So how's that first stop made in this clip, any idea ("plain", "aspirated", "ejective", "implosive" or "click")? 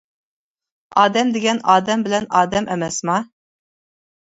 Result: plain